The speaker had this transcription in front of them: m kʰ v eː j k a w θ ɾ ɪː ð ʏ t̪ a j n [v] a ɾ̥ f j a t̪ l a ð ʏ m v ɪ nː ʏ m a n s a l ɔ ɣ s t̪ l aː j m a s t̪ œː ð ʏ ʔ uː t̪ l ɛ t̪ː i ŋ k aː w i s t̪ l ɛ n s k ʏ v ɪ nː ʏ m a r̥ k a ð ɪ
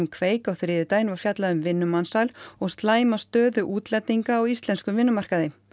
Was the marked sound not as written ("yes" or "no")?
no